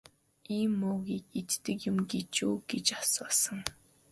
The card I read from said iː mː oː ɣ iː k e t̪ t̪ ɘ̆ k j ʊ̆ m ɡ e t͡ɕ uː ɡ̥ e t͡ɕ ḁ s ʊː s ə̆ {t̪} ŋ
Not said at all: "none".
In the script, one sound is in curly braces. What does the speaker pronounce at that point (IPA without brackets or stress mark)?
none